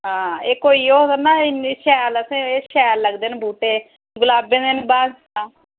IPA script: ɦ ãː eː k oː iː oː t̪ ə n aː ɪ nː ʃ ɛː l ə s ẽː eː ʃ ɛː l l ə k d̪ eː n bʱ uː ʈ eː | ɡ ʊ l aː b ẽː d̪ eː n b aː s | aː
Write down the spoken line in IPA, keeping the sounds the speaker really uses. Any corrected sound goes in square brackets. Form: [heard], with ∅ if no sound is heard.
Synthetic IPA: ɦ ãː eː k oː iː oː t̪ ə n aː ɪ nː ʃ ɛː l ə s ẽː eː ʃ ɛː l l ə [ɡ] d̪ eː n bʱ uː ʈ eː | ɡ ʊ l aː b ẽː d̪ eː n b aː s | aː